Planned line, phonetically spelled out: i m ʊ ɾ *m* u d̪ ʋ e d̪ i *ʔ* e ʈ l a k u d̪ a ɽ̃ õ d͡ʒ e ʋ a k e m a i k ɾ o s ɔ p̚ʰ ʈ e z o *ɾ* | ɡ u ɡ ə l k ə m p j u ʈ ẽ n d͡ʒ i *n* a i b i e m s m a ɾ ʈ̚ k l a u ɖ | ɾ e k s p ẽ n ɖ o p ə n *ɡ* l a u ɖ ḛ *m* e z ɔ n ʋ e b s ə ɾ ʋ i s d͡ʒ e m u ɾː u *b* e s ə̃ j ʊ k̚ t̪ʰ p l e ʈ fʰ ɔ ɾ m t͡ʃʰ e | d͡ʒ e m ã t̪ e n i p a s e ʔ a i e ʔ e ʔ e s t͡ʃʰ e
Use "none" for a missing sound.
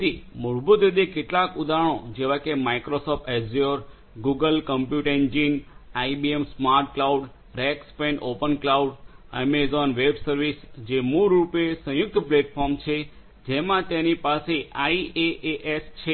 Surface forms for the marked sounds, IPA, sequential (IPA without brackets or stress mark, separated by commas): b, k, ɾ, n, k, m, p